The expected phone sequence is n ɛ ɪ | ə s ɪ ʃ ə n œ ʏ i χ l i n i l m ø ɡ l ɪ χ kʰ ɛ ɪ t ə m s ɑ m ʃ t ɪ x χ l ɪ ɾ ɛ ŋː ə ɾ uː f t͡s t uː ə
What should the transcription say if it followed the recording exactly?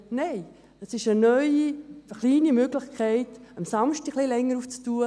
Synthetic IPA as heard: n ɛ ɪ | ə s ɪ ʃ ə n œ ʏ i χ l iː n i m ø ɡ l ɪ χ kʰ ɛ ɪ t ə m s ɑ m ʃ t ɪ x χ l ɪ l ɛ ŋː ə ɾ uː f t͡s t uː ə